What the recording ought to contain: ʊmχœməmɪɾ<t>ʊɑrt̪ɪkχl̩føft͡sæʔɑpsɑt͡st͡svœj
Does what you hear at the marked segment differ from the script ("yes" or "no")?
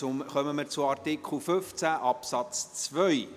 yes